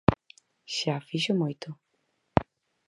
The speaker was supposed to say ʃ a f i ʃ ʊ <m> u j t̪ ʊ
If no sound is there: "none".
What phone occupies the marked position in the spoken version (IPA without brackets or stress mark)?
m